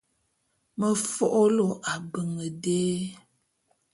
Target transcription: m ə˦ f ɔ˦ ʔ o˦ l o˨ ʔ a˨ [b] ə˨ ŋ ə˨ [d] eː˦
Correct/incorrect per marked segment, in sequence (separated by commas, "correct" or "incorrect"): correct, correct